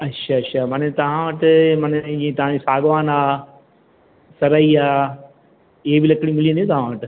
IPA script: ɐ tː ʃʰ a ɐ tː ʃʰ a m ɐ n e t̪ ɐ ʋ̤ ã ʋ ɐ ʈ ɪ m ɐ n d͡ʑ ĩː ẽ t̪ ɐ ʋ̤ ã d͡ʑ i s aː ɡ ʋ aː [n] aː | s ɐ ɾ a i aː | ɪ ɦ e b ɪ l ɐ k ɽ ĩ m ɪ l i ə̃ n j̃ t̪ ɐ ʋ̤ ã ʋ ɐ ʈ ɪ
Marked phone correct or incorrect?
correct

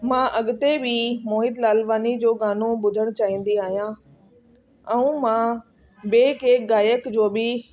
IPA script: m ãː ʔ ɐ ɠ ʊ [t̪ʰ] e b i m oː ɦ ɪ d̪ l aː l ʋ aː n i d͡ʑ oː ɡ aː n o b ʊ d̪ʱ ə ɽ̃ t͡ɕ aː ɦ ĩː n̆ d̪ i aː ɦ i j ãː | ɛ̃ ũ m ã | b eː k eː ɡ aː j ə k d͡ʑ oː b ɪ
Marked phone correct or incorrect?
incorrect: t̪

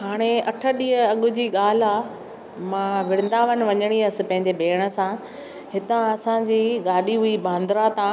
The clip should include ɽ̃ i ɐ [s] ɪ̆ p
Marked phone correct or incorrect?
correct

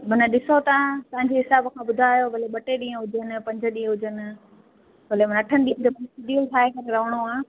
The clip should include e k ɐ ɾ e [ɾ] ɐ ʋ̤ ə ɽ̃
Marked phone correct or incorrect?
correct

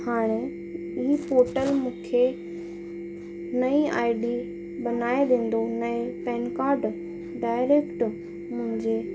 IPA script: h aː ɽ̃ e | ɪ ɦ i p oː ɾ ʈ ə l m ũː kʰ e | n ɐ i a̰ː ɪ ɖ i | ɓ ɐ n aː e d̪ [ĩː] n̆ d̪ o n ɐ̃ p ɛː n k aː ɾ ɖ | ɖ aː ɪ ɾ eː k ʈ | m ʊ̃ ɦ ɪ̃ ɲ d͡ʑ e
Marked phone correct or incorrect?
incorrect: ẽː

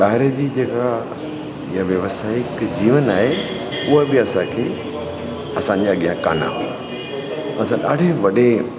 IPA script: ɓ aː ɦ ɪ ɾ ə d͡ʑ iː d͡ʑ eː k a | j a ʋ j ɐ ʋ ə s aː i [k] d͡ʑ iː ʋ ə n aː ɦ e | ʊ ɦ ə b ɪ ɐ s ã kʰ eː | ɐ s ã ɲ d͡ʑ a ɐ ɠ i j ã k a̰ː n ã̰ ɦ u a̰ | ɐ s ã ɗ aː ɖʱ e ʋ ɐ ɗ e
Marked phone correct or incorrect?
correct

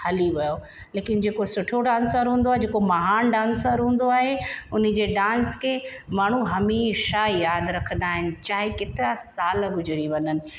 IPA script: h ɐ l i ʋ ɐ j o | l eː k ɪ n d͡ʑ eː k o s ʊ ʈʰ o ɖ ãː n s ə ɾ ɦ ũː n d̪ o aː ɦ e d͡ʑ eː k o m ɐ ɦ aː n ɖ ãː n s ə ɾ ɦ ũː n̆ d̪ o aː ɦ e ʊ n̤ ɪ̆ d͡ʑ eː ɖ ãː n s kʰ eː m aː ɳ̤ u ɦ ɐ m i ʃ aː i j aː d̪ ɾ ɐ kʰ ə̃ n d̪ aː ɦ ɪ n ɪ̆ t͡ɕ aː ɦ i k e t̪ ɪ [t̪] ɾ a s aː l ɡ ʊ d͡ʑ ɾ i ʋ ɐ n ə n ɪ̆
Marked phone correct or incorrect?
incorrect: none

